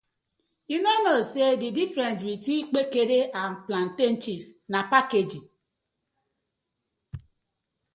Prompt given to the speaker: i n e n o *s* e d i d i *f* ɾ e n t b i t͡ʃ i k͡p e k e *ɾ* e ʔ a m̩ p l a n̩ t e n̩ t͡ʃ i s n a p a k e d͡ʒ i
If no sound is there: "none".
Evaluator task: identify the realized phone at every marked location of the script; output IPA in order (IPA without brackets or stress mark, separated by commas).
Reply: s, f, ɾ